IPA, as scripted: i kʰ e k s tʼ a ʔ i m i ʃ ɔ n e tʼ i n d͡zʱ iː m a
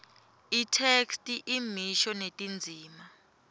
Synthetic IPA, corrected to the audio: i tʰ e k s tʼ i ʔ i m i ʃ ɔ n e tʼ i n d͡zʱ iː m a